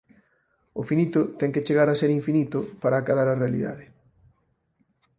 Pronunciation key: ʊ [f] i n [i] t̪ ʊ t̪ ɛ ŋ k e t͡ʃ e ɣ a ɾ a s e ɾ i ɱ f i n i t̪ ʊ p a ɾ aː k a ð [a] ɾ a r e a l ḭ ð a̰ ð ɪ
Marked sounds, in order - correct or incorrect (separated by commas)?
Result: correct, correct, correct